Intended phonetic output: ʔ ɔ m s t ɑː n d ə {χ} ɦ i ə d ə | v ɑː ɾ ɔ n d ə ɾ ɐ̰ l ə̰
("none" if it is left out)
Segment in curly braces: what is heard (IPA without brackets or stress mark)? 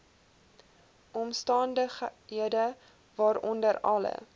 χ